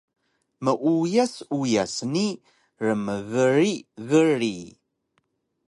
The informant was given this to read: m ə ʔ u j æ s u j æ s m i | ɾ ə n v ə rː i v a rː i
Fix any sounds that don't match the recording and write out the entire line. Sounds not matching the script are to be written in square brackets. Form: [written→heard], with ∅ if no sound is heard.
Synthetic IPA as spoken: m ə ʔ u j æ s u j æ s [m→n] i | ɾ ə [n→m] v ə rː i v [a→ə] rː i